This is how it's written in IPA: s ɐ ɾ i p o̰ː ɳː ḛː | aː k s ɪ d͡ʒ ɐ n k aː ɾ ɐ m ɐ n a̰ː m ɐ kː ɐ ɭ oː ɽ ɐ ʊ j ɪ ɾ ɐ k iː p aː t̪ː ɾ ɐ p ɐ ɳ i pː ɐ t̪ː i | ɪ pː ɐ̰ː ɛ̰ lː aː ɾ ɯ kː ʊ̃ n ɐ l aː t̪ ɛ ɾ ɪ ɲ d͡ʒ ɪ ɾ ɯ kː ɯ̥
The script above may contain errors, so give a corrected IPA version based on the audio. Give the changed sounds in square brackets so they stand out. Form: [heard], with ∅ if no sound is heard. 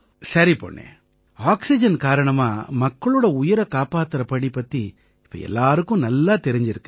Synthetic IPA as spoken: s ɐ ɾ i p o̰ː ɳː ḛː | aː k s ɪ d͡ʒ ɐ n k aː ɾ ɐ [ɳ] ɐ [m] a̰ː m ɐ kː ɐ ɭ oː ɽ ɐ ʊ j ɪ ɾ ɐ k [aː] p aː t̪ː ɾ ɐ p ɐ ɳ i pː ɐ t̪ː i | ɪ pː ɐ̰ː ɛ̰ lː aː ɾ ɯ kː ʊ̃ n ɐ [lː] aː t̪ ɛ ɾ ɪ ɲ d͡ʒ ɪ ɾ ɯ kː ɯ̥